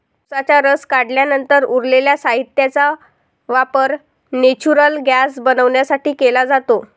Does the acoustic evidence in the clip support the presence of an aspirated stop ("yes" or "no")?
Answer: no